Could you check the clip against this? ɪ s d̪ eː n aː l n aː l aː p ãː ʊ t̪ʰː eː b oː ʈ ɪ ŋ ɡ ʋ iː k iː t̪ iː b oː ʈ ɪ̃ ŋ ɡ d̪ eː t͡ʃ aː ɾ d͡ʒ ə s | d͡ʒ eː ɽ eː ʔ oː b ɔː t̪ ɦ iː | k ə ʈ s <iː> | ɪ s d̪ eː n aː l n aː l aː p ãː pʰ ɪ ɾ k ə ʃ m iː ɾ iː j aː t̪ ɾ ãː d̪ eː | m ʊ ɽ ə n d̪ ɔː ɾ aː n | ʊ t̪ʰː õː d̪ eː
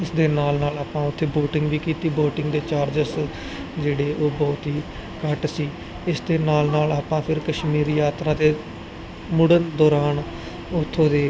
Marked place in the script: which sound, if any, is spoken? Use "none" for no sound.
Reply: iː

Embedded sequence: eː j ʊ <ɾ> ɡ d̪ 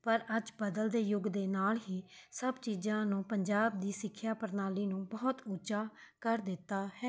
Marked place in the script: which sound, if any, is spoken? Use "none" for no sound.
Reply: none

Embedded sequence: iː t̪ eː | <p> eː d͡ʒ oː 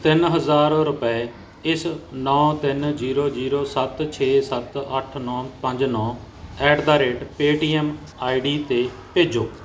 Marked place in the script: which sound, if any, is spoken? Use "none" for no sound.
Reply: p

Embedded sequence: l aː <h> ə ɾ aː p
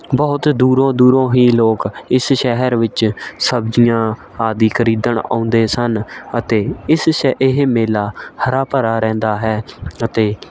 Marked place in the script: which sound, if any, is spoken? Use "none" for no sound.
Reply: h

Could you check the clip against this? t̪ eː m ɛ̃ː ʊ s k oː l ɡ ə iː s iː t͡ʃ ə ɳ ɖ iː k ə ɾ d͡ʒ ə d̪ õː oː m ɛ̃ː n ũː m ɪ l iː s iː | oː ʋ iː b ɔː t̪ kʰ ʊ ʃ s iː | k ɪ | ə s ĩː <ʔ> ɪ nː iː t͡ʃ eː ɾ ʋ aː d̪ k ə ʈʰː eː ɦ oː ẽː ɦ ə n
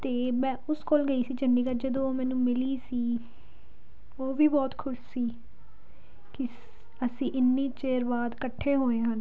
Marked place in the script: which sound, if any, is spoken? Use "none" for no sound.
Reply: ʔ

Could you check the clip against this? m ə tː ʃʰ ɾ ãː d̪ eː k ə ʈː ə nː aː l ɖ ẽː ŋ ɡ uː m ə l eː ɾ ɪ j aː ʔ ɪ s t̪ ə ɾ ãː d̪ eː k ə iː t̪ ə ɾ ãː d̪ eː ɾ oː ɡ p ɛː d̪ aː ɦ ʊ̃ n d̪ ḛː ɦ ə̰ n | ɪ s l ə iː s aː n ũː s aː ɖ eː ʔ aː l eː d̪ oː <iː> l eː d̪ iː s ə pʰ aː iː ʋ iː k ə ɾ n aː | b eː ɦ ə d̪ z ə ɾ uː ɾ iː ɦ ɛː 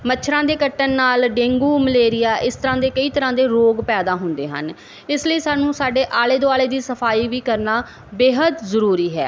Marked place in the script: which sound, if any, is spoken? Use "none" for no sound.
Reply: aː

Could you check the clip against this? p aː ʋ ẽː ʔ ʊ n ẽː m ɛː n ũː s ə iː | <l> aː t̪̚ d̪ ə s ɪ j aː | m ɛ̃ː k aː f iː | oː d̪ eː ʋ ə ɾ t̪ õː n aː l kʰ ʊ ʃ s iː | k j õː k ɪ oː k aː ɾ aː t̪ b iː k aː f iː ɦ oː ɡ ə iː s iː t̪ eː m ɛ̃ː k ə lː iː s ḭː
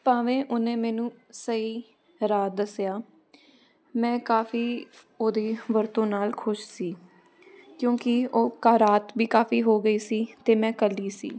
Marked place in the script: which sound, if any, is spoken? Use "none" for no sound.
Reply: ɾ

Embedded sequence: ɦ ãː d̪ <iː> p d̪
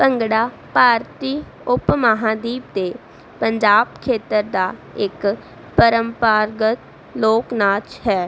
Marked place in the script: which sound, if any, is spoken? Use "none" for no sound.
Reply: iː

